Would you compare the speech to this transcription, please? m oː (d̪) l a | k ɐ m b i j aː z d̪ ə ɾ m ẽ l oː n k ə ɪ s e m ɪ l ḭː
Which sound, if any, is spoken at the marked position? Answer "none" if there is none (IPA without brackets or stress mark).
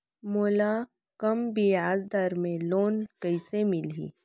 none